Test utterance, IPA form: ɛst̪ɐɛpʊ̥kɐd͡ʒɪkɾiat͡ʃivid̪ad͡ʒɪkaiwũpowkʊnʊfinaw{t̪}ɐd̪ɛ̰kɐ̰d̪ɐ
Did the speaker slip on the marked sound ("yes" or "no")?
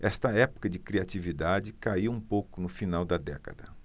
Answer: yes